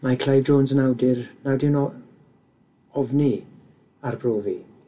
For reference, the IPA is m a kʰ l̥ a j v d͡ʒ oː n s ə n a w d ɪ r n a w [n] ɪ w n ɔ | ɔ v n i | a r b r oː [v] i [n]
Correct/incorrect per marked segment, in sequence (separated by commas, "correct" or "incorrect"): incorrect, correct, incorrect